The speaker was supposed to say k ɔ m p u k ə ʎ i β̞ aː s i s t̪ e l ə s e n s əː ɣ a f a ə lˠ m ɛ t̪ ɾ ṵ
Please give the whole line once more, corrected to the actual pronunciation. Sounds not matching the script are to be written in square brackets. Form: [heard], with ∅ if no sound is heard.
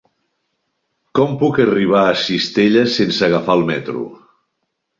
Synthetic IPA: k ɔ m p u k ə [r] i β̞ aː s i s t̪ e [ʎ] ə s e n s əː ɣ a f a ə lˠ m ɛ t̪ ɾ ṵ